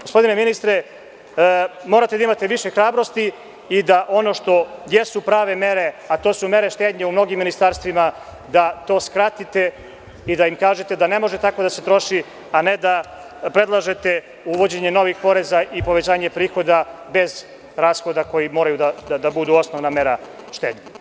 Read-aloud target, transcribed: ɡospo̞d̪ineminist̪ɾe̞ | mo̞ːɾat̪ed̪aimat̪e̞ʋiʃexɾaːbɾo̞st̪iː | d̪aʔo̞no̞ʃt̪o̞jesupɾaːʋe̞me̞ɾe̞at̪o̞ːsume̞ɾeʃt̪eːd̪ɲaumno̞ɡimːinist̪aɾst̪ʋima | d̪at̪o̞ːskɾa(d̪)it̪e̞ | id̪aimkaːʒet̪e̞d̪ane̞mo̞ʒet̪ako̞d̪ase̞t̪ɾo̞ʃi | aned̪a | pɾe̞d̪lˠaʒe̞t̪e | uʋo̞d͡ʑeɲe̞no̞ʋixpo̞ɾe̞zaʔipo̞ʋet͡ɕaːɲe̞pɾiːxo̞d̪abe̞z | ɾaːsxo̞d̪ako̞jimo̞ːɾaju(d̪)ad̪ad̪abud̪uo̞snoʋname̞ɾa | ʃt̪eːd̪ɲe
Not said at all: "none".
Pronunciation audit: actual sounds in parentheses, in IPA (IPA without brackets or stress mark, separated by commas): t̪, d̪